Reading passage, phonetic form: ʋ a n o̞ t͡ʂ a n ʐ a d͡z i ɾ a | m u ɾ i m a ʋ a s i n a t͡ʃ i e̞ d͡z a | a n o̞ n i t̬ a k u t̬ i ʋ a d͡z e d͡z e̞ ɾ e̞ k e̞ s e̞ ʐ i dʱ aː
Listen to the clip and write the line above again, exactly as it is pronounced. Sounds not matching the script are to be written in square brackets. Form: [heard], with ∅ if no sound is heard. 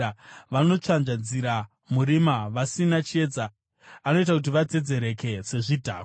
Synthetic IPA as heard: ʋ a n o̞ t͡ʂ a n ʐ a d͡z i ɾ a | m u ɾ i m a ʋ a s i n a t͡ʃ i e̞ d͡z a | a n o̞ [∅] i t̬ a k u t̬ i ʋ a d͡z e d͡z e̞ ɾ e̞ k e̞ s e̞ ʐ i dʱ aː